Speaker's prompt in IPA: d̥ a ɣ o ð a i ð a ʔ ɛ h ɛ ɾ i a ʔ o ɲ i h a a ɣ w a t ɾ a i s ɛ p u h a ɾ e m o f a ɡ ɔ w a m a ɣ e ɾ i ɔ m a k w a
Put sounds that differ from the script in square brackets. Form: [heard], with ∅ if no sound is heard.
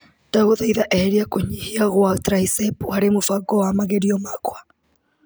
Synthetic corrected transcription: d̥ a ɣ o ð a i ð a ʔ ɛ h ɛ ɾ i a [k] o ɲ i h [i] a ɣ w a t ɾ a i s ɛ p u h a ɾ e m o f a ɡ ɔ w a m a ɣ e ɾ i ɔ m a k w a